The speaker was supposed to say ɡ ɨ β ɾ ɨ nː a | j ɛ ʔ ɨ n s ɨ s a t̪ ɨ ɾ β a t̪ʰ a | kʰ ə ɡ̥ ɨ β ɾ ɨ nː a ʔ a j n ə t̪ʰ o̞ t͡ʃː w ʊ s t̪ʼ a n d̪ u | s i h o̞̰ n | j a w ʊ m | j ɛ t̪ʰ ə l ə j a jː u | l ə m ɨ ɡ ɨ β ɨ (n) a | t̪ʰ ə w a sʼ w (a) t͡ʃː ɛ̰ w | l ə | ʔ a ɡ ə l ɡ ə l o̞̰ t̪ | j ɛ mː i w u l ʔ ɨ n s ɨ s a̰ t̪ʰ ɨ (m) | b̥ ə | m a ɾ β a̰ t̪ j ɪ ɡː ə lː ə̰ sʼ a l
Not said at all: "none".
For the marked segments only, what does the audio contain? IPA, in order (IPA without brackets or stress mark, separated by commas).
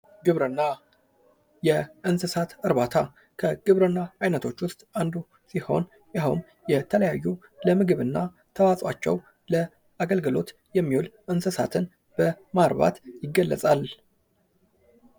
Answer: nː, a, n